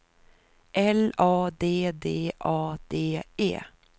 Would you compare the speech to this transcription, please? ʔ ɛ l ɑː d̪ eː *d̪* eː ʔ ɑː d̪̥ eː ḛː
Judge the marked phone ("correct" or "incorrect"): correct